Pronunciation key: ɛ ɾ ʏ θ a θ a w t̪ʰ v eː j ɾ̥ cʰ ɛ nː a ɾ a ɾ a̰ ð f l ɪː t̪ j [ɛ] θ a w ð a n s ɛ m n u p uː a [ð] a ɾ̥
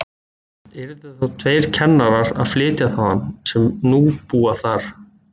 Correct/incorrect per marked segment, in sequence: incorrect, incorrect

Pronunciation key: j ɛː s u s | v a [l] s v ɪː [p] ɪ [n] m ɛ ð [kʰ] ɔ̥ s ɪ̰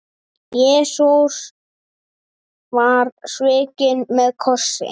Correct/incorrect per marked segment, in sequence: incorrect, incorrect, correct, correct

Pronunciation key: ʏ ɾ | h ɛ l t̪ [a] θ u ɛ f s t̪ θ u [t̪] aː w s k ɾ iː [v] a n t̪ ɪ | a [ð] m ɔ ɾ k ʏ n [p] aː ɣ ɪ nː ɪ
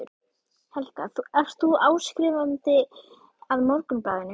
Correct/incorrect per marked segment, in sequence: correct, incorrect, correct, correct, correct

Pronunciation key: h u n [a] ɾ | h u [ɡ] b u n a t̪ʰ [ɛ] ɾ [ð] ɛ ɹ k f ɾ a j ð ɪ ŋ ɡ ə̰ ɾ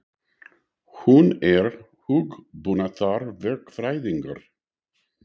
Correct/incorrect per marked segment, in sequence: incorrect, correct, incorrect, incorrect

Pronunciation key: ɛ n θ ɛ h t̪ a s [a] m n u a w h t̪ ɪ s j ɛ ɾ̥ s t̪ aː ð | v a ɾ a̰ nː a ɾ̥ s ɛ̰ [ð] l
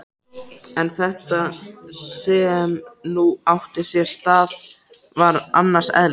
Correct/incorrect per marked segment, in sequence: incorrect, correct

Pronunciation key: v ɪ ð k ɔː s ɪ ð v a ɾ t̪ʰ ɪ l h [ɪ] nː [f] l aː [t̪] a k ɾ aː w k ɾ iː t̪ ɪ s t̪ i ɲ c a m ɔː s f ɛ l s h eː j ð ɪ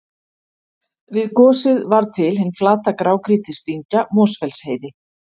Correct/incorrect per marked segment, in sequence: correct, correct, correct

